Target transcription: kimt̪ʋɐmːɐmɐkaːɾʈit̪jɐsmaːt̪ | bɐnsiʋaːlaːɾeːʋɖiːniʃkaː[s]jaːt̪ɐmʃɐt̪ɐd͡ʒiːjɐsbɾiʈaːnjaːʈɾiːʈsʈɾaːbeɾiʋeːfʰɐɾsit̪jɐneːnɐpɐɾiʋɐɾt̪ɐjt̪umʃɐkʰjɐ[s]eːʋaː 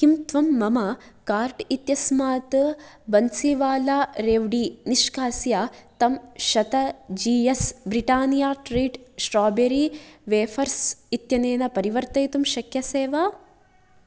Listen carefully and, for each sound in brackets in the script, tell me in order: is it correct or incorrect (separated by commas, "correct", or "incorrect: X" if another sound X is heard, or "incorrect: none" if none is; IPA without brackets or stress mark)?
correct, correct